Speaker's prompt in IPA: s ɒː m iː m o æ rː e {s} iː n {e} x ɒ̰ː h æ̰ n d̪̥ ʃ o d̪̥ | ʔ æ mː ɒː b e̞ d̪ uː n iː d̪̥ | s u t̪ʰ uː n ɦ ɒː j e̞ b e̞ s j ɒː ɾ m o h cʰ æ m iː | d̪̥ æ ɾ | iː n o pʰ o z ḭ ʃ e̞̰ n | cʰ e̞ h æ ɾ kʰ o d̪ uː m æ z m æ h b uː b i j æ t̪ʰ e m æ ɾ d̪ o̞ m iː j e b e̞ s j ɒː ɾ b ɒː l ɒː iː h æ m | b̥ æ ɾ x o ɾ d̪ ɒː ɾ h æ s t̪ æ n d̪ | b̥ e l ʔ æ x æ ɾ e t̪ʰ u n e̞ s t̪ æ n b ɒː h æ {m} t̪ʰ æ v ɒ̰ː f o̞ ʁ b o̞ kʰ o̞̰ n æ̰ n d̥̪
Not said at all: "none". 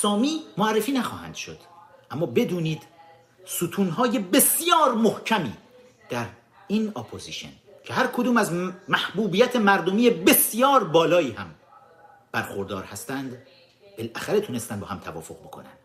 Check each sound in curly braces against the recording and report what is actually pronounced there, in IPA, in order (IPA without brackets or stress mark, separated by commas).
f, æ, m